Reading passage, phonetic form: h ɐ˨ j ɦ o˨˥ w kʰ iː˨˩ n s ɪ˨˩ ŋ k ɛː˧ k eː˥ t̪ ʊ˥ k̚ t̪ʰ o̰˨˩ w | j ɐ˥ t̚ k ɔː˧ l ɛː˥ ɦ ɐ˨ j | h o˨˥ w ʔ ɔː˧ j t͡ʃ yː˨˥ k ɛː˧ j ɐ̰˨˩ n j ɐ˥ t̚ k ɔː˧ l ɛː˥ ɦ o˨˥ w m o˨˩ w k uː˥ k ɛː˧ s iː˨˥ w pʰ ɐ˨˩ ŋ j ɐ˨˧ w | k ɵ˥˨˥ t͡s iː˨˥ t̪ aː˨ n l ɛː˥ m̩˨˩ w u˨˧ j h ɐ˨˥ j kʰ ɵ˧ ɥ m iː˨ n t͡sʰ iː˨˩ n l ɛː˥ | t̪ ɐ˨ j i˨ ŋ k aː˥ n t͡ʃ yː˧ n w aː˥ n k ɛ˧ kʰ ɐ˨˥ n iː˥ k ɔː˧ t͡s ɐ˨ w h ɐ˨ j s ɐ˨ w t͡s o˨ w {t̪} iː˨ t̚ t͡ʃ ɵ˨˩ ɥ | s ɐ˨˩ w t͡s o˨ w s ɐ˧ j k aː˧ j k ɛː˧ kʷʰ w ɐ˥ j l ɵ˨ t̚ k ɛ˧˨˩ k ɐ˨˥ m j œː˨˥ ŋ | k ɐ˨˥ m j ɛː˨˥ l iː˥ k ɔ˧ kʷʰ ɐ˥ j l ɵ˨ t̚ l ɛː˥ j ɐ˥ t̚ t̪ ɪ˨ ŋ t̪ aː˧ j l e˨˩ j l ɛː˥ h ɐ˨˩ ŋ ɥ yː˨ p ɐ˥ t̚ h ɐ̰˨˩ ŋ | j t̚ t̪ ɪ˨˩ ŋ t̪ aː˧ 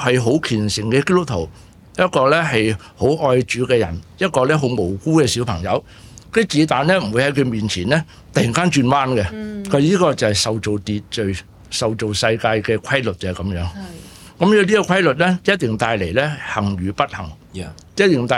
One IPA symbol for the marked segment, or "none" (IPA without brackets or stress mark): t̪